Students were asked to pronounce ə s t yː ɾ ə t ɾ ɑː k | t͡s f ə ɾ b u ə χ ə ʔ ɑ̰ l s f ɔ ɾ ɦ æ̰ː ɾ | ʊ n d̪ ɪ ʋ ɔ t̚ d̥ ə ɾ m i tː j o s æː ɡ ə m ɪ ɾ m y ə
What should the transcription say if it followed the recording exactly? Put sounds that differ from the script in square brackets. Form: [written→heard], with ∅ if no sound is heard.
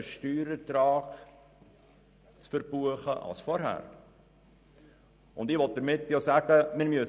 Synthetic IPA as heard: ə [s→ʃ] t yː ɾ ə t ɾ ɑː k | t͡s f ə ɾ b u ə χ ə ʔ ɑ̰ l s f ɔ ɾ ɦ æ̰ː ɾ | ʊ n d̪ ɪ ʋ ɔ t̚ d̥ ə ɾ m [i→ɪ] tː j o s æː ɡ ə m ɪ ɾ m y ə